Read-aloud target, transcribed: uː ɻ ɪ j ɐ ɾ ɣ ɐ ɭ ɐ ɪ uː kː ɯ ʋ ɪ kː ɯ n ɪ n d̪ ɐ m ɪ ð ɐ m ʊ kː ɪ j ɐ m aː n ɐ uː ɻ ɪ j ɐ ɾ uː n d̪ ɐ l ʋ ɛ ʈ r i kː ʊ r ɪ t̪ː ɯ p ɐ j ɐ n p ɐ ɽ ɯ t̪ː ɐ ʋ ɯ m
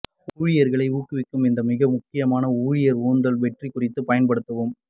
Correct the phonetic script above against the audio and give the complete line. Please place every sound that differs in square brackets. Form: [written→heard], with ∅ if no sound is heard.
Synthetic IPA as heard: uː ɻ ɪ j ɐ ɾ ɣ ɐ ɭ ɐ ɪ uː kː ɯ ʋ ɪ kː ɯ [n→m] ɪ n d̪ ɐ m ɪ [ð→ɣ] ɐ m ʊ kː ɪ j ɐ m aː n ɐ uː ɻ ɪ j ɐ ɾ uː n d̪ ɐ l ʋ ɛ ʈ r i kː ʊ r ɪ t̪ː ɯ p ɐ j ɐ n p ɐ ɽ ɯ t̪ː ɐ ʋ ɯ m